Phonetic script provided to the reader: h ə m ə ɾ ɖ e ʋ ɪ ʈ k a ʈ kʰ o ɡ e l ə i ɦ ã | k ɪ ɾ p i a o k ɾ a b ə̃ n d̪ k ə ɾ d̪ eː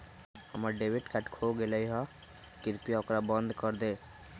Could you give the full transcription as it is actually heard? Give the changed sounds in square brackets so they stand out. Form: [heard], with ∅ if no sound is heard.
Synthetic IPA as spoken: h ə m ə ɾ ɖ e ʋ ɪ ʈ k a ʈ kʰ o ɡ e l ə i ɦ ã | k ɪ ɾ p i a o k ɾ a b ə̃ n d̪ k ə ɾ d̪ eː